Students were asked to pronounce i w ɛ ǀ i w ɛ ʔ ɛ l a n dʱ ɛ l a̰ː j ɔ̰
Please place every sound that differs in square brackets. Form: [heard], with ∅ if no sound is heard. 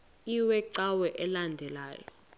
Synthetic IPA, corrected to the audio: i w ɛ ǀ [a] w ɛ ʔ ɛ l a n dʱ ɛ l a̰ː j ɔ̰